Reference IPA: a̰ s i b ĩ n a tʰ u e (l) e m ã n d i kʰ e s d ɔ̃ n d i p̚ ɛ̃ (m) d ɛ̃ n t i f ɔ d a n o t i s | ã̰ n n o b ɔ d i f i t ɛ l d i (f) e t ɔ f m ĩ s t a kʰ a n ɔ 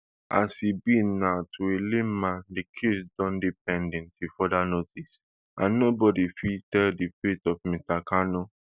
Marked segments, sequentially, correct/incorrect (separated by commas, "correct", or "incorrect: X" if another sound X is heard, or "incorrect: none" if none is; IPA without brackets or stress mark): correct, incorrect: n, correct